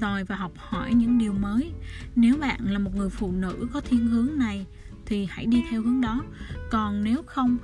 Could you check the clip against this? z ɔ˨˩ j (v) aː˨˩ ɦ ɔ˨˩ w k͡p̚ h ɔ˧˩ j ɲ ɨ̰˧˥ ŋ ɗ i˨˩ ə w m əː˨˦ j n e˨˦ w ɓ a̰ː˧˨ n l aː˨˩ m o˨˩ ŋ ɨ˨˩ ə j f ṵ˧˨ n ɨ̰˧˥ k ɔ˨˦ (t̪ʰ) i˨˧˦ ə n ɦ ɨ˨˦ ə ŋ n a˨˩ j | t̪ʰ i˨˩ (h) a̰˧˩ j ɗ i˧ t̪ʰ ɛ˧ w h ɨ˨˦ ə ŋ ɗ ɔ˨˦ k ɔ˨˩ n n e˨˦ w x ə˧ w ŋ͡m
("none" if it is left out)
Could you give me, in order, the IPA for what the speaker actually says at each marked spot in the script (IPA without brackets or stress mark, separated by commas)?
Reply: v, t̪ʰ, h